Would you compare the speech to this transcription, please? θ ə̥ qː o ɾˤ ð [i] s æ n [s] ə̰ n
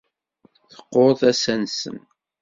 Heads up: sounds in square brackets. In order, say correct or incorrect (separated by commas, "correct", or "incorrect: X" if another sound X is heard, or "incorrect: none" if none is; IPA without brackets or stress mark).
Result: incorrect: æ, correct